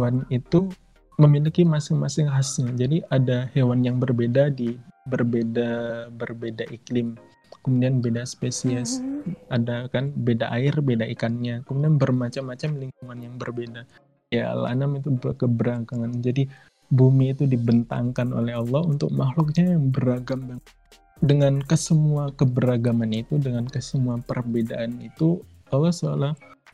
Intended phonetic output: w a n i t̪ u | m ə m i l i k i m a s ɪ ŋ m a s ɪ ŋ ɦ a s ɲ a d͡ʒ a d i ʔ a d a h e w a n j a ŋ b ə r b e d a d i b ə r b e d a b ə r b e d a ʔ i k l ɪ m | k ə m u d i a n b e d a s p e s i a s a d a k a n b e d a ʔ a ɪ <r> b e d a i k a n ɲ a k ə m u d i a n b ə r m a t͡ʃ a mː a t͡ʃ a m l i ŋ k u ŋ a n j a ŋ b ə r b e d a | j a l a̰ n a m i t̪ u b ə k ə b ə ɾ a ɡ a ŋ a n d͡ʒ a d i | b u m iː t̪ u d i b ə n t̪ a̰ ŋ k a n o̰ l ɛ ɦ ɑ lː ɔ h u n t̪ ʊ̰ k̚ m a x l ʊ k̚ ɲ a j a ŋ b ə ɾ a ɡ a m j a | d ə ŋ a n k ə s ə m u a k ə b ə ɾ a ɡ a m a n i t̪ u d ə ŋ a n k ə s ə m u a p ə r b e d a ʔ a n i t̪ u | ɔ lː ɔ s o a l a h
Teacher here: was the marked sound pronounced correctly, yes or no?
yes